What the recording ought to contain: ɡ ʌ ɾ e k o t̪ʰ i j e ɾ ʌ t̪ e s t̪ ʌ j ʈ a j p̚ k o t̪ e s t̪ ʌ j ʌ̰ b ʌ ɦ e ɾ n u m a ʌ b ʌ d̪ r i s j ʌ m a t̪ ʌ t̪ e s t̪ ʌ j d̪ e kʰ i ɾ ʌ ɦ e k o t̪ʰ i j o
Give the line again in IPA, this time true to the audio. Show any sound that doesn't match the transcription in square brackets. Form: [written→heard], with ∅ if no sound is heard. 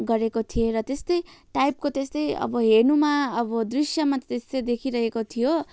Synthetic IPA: ɡ ʌ ɾ e k o t̪ʰ i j e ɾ ʌ t̪ e s t̪ ʌ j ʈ a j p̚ k o t̪ e s t̪ ʌ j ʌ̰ b ʌ ɦ e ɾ n u m a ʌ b ʌ d̪ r i s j ʌ m a t̪ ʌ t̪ e s t̪ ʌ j d̪ e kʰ i ɾ ʌ ɦ e k o t̪ʰ i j o